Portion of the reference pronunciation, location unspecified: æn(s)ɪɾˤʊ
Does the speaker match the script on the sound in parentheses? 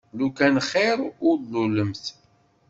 no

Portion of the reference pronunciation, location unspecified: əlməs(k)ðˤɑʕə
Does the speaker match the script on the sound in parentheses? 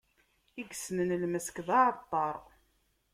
yes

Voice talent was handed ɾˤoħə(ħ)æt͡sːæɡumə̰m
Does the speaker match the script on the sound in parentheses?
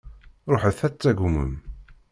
no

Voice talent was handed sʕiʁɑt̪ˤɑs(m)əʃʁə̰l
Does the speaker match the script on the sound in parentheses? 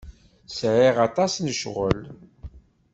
no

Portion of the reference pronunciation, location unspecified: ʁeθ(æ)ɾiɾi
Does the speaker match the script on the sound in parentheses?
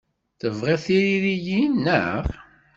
no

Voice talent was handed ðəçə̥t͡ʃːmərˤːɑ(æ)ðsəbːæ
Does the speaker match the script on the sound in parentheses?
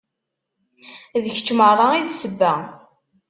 no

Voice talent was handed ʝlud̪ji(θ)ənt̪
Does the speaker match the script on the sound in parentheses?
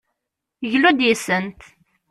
no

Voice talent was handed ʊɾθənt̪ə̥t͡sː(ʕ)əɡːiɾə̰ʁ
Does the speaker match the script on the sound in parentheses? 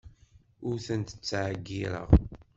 yes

